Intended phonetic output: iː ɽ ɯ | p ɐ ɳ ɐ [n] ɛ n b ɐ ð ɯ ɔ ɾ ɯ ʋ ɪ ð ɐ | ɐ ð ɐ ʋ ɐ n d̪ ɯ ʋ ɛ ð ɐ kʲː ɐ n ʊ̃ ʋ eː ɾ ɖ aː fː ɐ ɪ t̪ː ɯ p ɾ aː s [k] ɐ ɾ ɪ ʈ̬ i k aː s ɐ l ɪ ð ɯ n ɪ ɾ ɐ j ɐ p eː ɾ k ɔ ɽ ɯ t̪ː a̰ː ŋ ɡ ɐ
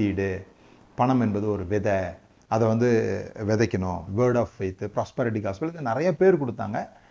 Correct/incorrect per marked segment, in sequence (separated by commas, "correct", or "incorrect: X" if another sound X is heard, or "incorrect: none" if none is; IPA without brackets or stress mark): incorrect: m, incorrect: p